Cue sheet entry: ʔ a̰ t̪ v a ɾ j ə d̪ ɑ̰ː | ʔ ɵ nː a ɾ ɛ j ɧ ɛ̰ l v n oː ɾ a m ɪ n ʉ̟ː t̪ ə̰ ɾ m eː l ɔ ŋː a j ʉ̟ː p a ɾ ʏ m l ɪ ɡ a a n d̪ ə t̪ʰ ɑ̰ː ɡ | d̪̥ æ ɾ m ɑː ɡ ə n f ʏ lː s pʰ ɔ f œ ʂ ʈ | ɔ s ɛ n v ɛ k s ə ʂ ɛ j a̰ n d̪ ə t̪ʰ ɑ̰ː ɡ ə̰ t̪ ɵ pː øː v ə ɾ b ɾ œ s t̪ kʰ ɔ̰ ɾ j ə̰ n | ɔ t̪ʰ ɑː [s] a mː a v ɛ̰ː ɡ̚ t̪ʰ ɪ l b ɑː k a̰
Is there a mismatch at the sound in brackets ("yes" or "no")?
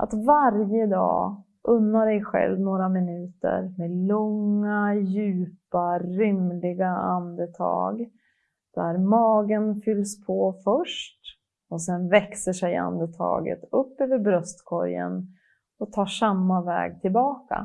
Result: yes